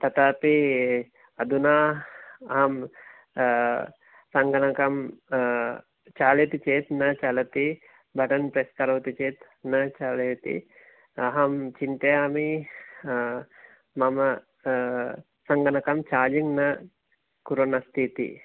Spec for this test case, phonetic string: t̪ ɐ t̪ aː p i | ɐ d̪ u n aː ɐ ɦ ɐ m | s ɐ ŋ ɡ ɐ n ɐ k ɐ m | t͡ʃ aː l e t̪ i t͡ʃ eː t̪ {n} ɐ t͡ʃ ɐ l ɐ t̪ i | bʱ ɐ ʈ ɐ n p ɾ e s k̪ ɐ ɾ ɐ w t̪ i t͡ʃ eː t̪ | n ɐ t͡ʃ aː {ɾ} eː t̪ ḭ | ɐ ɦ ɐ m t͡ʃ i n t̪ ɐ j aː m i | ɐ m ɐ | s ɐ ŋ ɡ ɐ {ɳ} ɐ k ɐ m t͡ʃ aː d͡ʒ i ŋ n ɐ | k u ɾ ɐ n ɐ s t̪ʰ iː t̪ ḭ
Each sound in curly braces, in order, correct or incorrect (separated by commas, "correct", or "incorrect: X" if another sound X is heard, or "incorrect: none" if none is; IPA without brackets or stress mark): correct, incorrect: l, incorrect: n